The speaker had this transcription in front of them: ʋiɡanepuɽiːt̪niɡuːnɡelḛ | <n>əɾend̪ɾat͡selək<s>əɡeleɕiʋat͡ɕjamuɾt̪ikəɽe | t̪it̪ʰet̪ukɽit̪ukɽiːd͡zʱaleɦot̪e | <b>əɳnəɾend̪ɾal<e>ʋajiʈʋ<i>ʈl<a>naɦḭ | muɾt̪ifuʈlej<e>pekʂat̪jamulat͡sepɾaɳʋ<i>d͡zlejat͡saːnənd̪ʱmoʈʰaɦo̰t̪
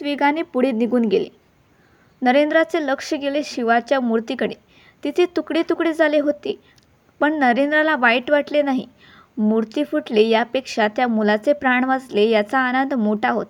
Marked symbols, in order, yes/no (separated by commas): yes, no, no, no, no, no, no, no